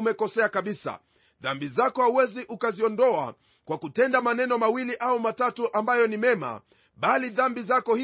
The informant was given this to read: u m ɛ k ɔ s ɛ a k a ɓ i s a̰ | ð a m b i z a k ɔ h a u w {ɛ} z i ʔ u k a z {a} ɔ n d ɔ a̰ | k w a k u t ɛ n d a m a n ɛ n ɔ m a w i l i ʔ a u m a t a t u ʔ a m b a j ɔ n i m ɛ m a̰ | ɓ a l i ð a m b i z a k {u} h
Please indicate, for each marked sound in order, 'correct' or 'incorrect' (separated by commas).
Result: correct, incorrect, incorrect